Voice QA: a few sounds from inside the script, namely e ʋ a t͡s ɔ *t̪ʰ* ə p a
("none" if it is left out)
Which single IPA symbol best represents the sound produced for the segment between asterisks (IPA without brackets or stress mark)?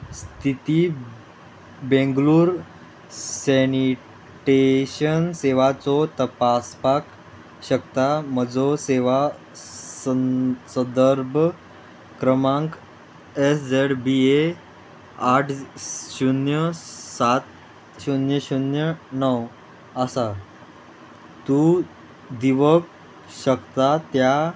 t̪